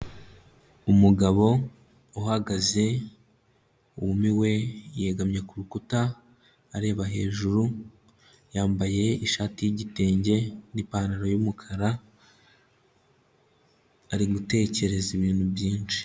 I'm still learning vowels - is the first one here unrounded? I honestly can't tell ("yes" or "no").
no